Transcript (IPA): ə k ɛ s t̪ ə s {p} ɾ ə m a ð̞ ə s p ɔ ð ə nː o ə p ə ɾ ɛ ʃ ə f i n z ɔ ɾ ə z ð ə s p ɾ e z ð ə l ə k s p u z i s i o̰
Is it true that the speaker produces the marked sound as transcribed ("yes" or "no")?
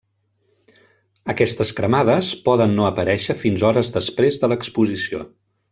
no